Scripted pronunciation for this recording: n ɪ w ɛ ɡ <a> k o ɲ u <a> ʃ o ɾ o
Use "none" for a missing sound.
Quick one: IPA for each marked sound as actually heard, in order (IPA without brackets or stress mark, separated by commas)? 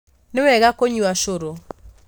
a, a